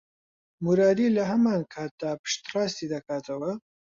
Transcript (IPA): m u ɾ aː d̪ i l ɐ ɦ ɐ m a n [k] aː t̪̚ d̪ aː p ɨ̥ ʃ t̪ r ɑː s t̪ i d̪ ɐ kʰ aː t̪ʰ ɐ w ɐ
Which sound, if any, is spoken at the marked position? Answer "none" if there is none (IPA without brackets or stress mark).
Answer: kʰ